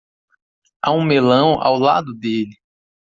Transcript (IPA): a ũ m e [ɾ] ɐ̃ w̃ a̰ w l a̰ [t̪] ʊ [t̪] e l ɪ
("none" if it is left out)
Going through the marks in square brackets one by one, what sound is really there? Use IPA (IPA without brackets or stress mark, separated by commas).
l, d̪, d̪